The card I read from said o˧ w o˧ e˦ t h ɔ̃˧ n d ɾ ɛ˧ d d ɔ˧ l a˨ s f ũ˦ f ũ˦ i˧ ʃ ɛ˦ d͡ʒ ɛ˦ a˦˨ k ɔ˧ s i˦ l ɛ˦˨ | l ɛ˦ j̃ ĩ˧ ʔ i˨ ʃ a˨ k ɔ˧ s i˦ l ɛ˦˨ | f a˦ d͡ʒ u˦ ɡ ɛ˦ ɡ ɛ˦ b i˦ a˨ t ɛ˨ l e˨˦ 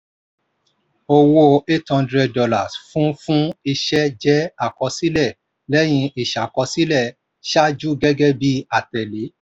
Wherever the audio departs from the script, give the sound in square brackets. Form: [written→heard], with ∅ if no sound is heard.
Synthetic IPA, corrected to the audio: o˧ w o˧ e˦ t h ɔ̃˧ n d ɾ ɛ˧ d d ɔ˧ l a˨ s f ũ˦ f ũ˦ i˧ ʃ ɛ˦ d͡ʒ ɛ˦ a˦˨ k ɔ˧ s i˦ l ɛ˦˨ | l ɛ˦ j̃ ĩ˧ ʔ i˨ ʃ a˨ k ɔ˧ s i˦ l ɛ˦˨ | [f→ʃ] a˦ d͡ʒ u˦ ɡ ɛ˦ ɡ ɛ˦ b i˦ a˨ t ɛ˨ l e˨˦